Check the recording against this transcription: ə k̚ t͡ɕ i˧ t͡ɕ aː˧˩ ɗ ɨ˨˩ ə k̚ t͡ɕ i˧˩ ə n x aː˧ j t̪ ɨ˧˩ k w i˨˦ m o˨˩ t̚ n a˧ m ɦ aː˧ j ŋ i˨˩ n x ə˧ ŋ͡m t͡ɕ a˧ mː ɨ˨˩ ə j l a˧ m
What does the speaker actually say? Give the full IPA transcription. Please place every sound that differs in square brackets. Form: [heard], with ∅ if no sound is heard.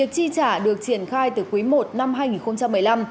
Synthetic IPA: ə k̚ t͡ɕ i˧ t͡ɕ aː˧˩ ɗ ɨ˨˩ ə k̚ t͡ɕ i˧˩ ə n x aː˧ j t̪ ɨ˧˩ k w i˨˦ m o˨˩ t̚ n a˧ m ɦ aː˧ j ŋ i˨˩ n x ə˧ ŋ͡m t͡ɕ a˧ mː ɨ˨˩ ə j l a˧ m